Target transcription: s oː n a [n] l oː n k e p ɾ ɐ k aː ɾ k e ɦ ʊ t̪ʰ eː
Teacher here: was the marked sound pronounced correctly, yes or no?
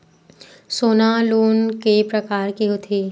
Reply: no